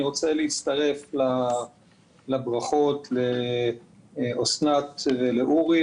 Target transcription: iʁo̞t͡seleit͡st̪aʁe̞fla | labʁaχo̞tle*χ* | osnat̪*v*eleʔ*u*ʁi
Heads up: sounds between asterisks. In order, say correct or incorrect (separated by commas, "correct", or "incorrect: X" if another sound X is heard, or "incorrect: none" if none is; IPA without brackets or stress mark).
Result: incorrect: none, correct, correct